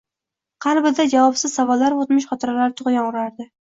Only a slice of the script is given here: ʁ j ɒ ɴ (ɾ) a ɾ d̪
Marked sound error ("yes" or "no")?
no